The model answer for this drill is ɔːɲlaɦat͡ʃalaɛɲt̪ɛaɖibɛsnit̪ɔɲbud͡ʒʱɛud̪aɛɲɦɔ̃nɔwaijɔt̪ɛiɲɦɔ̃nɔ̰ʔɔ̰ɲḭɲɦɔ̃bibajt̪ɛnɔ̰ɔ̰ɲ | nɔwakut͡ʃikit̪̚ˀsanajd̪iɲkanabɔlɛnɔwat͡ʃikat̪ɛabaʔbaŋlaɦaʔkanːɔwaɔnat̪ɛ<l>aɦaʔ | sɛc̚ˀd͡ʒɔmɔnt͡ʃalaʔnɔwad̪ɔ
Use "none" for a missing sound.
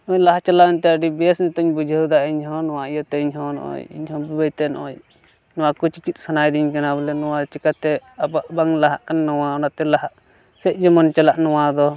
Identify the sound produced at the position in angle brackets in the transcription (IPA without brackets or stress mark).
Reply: l